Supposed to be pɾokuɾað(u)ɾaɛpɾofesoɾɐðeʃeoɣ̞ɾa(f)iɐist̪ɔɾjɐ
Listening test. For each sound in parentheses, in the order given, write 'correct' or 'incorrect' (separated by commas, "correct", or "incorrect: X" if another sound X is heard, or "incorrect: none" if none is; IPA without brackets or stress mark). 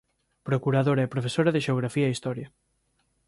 incorrect: o, correct